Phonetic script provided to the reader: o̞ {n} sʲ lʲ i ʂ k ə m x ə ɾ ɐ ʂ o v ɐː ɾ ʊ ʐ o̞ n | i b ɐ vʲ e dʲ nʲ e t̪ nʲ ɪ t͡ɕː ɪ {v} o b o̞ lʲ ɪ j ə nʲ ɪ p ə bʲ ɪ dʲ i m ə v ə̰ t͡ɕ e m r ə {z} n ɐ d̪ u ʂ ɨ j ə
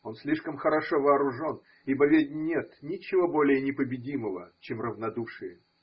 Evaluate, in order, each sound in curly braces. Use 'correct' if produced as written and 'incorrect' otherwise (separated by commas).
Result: correct, correct, incorrect